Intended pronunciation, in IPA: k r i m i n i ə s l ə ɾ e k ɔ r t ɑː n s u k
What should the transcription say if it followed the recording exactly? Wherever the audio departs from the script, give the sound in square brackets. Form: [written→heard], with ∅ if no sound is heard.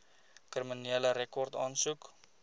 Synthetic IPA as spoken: k r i m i n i ə [s→∅] l ə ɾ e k ɔ r t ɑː n s u k